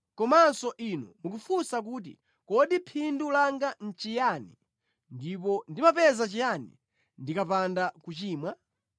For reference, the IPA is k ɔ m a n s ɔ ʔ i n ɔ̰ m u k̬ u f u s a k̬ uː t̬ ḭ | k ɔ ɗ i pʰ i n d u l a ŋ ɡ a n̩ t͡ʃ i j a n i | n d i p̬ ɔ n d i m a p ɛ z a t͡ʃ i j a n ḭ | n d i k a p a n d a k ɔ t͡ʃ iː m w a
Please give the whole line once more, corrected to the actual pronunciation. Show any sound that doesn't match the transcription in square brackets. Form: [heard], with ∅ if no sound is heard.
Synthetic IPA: k ɔ m a n s ɔ ʔ i n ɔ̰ m u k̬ u f u s a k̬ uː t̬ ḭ | k ɔ ɗ i pʰ i n d u l a ŋ ɡ a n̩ t͡ʃ i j a n i | n d i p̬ ɔ n d i m a p ɛ z a t͡ʃ i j a n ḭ | n d i k a p a n d a k [u] t͡ʃ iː m w a